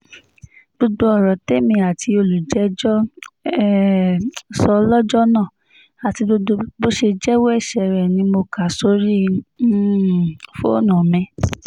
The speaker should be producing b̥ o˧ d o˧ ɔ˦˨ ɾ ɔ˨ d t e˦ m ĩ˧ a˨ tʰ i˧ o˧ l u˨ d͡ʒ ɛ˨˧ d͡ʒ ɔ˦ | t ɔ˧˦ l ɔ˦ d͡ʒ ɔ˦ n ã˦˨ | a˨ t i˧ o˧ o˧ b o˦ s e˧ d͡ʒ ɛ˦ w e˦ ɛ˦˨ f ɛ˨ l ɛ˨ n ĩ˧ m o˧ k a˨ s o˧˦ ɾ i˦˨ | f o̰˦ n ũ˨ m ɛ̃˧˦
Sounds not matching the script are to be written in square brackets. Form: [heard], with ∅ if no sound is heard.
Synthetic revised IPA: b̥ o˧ d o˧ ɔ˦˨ ɾ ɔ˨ [∅] t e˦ m ĩ˧ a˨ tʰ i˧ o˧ l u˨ d͡ʒ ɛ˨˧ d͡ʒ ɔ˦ | [s] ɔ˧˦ l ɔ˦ d͡ʒ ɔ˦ n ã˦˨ | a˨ t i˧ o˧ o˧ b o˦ [ʃ] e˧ d͡ʒ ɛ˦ w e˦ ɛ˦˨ [ʃ] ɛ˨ [ɾ] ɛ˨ n ĩ˧ m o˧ k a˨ s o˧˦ ɾ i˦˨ | f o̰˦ n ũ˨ m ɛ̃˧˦

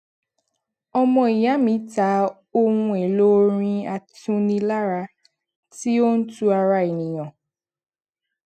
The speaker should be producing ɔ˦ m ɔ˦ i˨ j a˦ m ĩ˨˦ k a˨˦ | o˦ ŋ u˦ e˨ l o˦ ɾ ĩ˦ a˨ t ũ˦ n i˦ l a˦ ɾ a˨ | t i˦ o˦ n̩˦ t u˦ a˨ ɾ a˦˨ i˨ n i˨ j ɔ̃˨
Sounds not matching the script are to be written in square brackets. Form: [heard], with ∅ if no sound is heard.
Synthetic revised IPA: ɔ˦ m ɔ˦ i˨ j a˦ m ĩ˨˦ [t] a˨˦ | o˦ ŋ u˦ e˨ l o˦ ɾ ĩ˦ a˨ t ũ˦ n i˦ l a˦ ɾ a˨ | t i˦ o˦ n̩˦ t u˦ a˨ ɾ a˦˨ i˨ n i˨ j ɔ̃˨

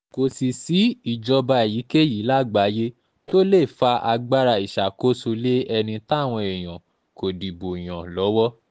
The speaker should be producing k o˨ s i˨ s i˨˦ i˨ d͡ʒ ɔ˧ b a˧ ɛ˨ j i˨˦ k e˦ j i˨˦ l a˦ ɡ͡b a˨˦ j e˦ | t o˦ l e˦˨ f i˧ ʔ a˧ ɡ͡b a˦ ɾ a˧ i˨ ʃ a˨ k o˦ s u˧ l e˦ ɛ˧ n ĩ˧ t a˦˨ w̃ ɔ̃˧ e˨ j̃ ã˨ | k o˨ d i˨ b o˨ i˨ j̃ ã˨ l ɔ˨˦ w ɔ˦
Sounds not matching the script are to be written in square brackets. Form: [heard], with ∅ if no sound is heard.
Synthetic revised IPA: k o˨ s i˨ s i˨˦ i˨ d͡ʒ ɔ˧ b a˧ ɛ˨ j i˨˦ k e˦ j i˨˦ l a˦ ɡ͡b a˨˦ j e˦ | t o˦ l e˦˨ f [a˧] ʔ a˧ ɡ͡b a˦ ɾ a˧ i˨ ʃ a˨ k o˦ s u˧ l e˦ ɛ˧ n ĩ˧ t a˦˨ w̃ ɔ̃˧ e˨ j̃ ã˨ | k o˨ d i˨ b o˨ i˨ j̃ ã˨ l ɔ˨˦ w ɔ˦

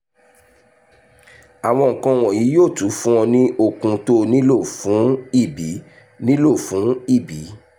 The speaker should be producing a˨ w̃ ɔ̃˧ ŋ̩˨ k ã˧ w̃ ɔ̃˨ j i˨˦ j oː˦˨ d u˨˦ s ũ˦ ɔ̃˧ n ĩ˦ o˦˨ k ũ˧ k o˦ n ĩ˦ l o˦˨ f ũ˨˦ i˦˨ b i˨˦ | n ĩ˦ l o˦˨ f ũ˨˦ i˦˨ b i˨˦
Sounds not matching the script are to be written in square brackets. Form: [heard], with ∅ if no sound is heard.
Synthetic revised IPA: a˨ w̃ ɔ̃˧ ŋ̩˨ k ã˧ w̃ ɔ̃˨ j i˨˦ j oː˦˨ [t] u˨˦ [f] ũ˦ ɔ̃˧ n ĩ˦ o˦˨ k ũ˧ [t] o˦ n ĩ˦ l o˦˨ f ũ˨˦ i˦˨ b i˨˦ | n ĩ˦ l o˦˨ f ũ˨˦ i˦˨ b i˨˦

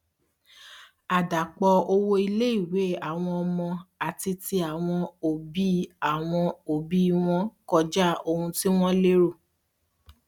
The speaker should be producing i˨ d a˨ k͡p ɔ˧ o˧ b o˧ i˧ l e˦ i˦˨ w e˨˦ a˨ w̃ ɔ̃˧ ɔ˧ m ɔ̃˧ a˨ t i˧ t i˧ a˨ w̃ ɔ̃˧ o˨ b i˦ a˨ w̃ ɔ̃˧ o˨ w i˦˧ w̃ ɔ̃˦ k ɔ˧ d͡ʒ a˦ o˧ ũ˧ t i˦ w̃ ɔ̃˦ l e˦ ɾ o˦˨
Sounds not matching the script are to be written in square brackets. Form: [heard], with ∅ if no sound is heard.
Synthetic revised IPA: [a˨] d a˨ k͡p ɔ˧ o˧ [w] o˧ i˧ l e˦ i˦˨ w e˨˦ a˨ w̃ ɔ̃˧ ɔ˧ m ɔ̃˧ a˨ t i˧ t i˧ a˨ w̃ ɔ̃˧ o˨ b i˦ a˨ w̃ ɔ̃˧ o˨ [b] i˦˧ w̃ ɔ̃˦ k ɔ˧ d͡ʒ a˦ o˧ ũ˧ t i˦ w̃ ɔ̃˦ l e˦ ɾ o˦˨

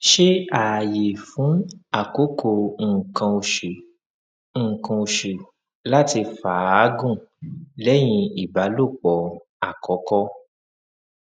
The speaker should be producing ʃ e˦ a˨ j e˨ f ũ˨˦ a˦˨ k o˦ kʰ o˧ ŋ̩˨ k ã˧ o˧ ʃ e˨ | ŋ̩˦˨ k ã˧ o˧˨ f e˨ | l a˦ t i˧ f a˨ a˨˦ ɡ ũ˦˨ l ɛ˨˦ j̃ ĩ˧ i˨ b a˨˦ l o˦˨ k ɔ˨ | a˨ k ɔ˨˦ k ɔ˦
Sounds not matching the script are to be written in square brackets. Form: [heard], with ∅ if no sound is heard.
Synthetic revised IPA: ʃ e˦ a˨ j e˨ f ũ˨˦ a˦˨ k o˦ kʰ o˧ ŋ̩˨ k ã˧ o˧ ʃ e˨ | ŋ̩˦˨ k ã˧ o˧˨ [ʃ] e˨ | l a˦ t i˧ f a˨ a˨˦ ɡ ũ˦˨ l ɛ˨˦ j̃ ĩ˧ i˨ b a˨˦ l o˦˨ [k͡p] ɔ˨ | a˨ k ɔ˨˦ k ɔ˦

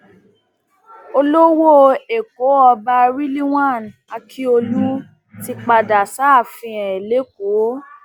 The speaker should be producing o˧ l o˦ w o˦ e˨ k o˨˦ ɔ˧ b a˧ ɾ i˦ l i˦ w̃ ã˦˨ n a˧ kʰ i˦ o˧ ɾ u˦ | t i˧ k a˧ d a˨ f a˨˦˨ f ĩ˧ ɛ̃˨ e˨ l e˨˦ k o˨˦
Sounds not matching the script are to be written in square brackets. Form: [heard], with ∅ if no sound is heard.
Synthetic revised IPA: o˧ l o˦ w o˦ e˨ k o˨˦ ɔ˧ b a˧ ɾ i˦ l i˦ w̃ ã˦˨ n a˧ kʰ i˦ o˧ [l] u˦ | t i˧ [k͡p] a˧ d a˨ [s] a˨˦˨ f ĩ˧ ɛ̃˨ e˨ l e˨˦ k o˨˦

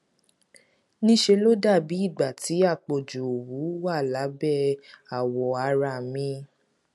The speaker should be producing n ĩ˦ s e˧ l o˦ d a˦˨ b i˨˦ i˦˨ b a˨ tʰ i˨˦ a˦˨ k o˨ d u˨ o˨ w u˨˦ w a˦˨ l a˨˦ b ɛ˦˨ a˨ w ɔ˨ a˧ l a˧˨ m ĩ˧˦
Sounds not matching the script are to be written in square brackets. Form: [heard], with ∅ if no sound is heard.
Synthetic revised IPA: n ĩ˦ [ʃ] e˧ l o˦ d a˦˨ b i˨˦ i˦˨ [ɡ͡b] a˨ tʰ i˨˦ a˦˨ [k͡p] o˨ [d͡ʒ] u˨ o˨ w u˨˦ w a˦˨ l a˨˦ b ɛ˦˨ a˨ w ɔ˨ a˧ [ɾ] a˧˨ m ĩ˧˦

